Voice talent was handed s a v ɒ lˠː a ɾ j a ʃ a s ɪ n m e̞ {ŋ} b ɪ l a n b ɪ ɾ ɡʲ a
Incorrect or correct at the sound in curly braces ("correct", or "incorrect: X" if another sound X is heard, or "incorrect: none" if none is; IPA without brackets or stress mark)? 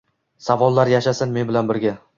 incorrect: n